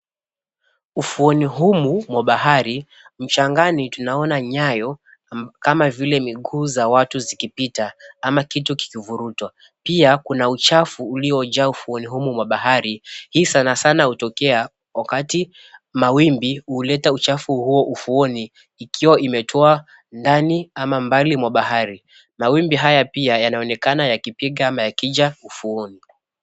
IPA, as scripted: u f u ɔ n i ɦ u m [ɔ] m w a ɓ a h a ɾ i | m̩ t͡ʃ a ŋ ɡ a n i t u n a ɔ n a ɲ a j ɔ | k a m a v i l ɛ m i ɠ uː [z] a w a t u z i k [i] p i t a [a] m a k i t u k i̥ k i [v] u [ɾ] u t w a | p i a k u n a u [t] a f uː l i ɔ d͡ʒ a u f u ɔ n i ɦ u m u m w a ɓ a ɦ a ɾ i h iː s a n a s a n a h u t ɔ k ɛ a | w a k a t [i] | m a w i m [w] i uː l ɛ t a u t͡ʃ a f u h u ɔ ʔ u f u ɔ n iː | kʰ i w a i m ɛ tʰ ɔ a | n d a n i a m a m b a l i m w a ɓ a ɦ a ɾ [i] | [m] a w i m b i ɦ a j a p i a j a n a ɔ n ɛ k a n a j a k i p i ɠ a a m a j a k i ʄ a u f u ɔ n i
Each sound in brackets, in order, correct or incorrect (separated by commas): incorrect, correct, correct, correct, correct, correct, incorrect, correct, incorrect, correct, correct